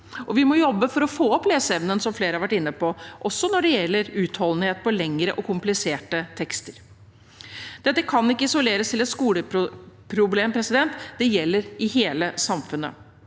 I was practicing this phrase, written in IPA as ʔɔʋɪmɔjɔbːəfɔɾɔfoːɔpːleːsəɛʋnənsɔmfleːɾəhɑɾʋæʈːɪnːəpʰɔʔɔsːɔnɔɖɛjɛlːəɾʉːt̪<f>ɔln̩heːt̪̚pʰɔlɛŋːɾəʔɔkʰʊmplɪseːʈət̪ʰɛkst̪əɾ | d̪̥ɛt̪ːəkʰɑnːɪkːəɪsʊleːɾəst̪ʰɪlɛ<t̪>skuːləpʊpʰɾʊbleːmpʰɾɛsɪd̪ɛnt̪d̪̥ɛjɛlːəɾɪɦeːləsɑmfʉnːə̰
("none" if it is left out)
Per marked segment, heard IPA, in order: h, t̪

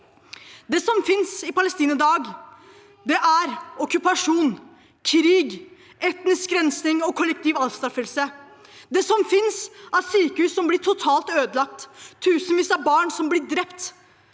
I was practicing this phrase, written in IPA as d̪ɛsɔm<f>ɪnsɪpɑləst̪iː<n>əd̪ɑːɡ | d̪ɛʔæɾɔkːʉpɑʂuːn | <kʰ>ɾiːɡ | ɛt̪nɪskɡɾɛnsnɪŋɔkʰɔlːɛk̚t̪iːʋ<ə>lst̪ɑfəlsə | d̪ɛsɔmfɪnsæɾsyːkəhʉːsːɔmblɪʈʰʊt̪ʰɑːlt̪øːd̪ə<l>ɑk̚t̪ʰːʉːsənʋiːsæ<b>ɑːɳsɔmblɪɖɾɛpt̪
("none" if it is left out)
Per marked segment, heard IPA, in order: f, n, kʰ, ɑ, l, b

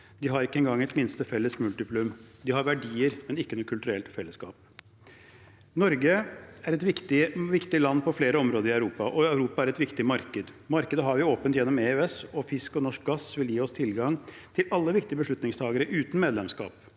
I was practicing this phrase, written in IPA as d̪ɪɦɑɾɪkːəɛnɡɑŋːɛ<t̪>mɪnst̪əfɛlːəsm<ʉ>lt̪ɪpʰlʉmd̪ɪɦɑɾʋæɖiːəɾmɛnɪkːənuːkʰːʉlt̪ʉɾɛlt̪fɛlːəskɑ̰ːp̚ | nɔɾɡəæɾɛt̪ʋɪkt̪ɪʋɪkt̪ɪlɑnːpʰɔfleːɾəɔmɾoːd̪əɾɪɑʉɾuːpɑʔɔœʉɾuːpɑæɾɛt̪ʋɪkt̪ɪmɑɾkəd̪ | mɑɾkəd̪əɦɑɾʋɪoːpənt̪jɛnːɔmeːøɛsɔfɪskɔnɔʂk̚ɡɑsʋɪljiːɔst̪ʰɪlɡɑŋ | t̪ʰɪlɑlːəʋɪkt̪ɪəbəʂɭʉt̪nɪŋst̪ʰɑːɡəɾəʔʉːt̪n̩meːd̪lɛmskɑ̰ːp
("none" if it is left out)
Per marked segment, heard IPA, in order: t̪, ʉ

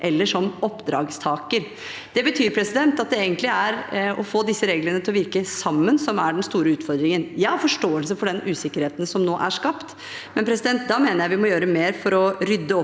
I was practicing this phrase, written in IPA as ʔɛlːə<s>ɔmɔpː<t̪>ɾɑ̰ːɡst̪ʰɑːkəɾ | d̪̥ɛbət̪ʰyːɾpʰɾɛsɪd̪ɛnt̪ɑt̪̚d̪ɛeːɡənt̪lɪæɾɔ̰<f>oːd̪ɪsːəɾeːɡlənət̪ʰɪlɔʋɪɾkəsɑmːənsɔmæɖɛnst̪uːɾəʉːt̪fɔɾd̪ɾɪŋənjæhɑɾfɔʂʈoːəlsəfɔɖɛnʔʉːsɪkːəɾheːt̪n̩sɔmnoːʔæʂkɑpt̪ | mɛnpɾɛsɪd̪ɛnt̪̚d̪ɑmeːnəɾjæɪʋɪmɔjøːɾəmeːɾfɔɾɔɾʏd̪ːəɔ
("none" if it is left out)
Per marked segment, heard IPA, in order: ʂ, d̪, f

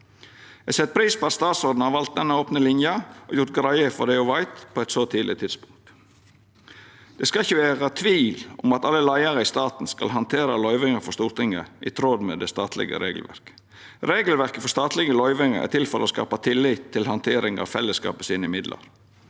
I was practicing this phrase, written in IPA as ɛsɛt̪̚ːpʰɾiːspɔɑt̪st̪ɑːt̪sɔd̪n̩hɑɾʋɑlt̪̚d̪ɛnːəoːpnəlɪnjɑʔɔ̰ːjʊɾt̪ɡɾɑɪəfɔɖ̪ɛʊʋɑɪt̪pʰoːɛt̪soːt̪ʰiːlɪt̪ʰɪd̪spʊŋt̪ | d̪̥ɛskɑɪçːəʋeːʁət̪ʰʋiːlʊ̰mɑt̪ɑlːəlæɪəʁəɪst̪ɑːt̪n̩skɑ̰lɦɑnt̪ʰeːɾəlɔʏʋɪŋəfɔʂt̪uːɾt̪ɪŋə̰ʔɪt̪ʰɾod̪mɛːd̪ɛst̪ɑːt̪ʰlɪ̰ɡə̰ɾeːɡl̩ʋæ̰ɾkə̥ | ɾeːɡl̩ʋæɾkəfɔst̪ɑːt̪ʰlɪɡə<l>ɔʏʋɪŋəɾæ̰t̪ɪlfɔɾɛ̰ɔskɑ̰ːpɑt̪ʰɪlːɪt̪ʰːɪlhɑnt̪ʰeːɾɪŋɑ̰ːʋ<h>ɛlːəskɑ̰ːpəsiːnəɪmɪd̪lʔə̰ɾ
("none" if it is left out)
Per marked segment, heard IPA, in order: l, f

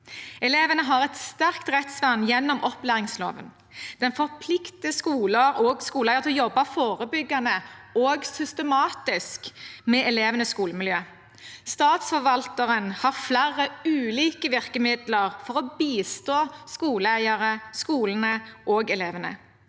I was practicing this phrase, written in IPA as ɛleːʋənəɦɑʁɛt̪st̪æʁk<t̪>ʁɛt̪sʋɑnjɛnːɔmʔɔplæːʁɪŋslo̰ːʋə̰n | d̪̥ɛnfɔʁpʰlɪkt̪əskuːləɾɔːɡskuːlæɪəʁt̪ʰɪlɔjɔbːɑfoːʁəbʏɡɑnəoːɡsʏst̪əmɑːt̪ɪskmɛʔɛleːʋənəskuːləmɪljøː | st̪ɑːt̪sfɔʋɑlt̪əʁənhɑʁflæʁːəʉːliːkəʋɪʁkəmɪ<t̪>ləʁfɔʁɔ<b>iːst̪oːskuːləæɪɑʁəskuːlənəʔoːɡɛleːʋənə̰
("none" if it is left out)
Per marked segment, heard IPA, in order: t̪, d̪, b

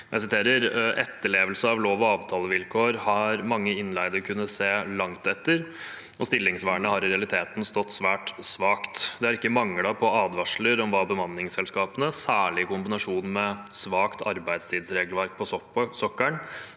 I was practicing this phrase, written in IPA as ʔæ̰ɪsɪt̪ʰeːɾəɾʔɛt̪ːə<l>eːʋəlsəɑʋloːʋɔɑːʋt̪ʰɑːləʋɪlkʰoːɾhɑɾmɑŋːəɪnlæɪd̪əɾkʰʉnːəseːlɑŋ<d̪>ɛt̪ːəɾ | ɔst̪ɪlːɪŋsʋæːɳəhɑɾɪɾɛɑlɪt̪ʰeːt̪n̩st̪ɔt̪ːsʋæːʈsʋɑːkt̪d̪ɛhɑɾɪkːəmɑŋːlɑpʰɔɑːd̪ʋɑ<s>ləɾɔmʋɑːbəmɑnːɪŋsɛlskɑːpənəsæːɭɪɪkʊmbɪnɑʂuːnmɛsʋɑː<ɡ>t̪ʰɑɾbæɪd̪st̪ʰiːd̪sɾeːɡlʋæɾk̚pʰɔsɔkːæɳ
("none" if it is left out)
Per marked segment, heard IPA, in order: ɭ, t̪, ʂ, k

